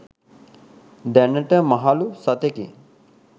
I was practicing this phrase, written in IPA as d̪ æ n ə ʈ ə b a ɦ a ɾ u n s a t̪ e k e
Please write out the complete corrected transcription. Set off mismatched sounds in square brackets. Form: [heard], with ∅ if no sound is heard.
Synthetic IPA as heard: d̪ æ n ə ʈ ə [m] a ɦ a [l] u [∅] s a t̪ e k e